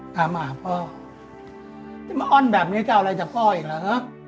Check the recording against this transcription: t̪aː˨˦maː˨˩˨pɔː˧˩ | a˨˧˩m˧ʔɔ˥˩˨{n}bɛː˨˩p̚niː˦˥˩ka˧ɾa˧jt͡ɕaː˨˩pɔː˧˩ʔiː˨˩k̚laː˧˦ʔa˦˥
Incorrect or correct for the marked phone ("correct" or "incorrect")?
correct